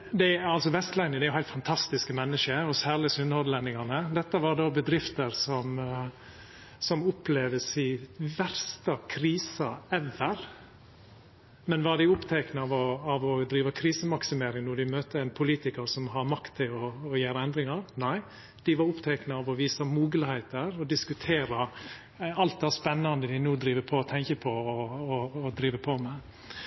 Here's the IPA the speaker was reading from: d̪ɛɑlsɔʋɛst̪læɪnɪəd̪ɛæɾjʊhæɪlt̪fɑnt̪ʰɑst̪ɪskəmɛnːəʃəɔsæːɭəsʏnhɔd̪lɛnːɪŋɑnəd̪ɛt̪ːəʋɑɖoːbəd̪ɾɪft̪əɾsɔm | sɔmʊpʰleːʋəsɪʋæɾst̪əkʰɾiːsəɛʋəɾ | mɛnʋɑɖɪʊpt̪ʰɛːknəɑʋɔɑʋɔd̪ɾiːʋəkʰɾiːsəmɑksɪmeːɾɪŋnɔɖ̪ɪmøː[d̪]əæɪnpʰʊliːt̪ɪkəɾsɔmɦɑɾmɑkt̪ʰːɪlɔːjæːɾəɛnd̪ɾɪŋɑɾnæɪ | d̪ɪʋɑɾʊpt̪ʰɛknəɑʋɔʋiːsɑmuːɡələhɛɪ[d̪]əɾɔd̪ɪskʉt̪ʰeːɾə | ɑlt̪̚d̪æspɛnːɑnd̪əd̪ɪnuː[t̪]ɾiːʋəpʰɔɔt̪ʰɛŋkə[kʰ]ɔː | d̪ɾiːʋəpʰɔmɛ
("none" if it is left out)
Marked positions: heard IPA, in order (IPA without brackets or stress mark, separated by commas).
t̪, t̪, d̪, pʰ